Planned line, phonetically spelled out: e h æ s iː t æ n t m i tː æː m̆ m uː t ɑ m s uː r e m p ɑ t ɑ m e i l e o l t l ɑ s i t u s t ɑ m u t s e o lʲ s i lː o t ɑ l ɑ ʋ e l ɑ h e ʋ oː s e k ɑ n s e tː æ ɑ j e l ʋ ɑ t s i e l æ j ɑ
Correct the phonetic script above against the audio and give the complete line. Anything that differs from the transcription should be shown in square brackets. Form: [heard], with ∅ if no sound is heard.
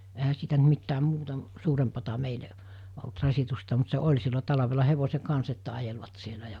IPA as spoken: e h æ s iː t æ n t m i tː æː m̆ m uː t ɑ m s uː r e m p ɑ t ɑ m e i l e o l t [r] ɑ s i t u s t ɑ m u t s e o lʲ s i lː o t ɑ l ɑ ʋ e l ɑ h e ʋ [o] s e k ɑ n s e tː æ ɑ j e l ʋ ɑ t s i e l æ j ɑ